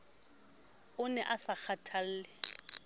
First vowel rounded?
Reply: yes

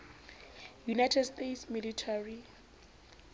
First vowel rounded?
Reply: yes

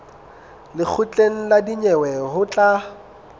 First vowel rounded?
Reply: no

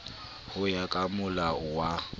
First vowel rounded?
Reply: yes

